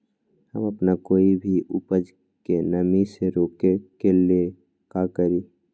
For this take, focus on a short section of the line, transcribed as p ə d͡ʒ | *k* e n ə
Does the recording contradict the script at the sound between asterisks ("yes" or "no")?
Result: no